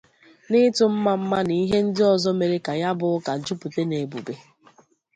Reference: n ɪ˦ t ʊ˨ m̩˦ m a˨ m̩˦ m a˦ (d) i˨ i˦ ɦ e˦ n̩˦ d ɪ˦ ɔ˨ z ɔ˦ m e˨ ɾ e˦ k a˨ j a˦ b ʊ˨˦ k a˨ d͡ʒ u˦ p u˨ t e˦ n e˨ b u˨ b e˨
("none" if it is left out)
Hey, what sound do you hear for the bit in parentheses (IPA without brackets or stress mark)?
n